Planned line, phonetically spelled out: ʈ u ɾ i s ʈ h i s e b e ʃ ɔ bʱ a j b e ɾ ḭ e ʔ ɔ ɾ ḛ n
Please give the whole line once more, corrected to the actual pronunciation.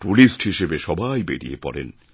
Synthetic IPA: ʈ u l i s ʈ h i ʃ e b e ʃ ɔ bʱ a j b e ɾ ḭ e p ɔ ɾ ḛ n